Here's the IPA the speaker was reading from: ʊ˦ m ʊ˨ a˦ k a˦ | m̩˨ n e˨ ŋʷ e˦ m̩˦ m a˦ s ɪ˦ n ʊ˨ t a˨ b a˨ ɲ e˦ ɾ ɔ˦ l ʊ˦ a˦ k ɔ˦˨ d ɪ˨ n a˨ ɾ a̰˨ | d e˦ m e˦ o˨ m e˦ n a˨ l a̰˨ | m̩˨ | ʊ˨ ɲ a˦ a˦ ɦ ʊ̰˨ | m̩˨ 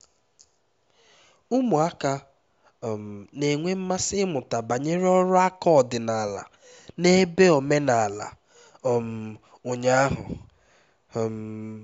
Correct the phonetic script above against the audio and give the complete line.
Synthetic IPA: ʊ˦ m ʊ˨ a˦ k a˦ | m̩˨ n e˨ ŋʷ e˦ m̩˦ m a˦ s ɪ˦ m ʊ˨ t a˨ b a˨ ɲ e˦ ɾ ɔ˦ ɾ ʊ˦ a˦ k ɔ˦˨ d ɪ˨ n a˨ l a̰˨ | n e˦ b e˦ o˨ m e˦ n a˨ l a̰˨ | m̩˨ | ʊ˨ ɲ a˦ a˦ ɦ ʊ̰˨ | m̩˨

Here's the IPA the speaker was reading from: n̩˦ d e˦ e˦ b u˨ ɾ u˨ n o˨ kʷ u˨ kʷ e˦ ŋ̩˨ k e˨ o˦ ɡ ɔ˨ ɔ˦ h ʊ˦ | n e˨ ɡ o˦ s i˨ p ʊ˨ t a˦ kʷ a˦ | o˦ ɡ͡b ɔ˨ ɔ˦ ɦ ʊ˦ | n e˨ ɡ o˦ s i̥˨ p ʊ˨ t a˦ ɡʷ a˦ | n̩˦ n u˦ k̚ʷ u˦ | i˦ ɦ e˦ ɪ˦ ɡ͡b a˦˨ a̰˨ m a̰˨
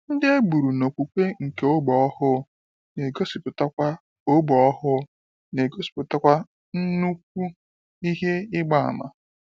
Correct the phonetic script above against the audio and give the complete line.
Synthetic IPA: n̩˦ d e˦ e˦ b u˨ ɾ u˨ n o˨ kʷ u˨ kʷ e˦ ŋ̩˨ k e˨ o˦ ɡ͡b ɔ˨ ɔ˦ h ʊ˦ | n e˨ ɡ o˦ s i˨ p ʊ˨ t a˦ kʷ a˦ | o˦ ɡ͡b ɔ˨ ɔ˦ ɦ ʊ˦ | n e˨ ɡ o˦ s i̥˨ p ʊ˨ t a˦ kʷ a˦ | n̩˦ n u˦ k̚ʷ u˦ | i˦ ɦ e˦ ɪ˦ ɡ͡b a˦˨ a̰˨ m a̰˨

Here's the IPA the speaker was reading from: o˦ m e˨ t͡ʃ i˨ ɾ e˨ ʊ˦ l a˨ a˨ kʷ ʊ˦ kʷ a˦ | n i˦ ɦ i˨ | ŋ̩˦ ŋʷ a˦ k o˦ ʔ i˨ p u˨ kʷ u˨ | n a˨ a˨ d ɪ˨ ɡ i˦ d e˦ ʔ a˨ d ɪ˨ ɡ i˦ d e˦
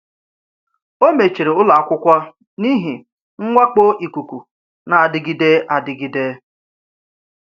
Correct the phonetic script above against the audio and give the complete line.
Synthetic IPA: o˦ m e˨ t͡ʃ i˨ ɾ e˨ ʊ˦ l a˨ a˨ kʷ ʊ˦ kʷ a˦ | n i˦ ɦ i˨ | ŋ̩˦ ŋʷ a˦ k͡p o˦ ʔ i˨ k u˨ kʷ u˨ | n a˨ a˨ d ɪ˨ ɡ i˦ d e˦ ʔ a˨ d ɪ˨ ɡ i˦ d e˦

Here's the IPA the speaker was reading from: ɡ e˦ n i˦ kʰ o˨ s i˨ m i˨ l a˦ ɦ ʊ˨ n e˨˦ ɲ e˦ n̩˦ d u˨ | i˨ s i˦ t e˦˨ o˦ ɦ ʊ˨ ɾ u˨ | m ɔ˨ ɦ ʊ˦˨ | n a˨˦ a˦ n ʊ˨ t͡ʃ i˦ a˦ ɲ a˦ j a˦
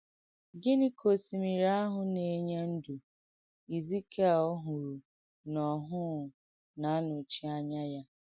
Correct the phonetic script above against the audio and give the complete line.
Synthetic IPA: ɡ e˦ n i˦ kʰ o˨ s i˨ m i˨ ɾ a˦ ɦ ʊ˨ n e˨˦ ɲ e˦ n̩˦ d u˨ | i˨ z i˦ k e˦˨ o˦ ɦ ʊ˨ ɾ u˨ | n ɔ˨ ɦ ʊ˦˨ | n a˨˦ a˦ n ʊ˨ t͡ʃ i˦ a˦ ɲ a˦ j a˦

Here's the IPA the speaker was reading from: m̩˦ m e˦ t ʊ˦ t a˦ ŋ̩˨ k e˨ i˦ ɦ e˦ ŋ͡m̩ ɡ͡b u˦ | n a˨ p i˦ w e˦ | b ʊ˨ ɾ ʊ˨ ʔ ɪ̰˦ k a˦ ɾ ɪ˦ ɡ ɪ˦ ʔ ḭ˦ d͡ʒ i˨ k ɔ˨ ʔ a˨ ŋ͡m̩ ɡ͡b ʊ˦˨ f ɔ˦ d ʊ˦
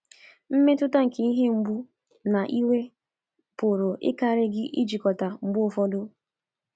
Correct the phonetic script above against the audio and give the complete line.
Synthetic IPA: m̩˦ m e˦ t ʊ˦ t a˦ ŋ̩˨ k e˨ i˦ ɦ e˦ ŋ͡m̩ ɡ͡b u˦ | n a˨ ʔ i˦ w e˦ | p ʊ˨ ɾ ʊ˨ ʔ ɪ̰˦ k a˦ ɾ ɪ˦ ɡ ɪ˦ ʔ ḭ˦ d͡ʒ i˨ k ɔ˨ t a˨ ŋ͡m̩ ɡ͡b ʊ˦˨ f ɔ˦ d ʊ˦

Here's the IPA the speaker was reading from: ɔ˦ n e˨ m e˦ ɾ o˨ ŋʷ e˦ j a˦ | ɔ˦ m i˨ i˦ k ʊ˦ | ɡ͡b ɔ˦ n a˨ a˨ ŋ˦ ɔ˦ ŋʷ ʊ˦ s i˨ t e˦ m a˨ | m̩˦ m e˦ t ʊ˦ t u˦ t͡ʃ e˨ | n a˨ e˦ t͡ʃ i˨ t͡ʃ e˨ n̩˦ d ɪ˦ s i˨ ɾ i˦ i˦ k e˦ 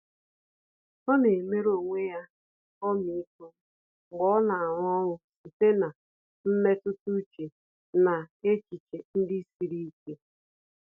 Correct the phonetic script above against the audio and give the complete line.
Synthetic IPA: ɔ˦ n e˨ m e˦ ɾ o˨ ŋʷ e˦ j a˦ | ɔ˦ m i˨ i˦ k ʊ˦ | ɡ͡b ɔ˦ n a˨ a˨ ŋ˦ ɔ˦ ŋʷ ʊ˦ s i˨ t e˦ n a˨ | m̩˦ m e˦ t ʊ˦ t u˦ t͡ʃ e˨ | n a˨ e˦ t͡ʃ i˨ t͡ʃ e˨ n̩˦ d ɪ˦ s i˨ ɾ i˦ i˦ k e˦

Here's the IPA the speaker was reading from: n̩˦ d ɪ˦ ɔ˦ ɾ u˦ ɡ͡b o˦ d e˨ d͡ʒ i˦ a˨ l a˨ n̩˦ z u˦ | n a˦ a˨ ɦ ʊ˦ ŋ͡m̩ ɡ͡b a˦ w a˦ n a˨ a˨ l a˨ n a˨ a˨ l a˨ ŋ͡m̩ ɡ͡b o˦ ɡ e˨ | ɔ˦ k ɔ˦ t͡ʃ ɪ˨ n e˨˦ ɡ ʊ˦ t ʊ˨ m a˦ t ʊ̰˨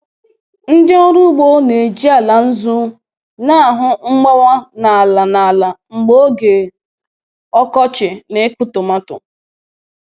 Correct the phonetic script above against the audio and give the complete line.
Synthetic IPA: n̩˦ d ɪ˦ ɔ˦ ɾ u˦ ɡ͡b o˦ n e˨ d͡ʒ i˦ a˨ l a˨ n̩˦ z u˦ | n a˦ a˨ ɦ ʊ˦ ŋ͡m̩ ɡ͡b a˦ w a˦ n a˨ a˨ l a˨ n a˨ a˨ l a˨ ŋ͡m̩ ɡ͡b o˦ ɡ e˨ | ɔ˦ k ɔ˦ t͡ʃ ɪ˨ n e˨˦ k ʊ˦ t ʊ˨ m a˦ t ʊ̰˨

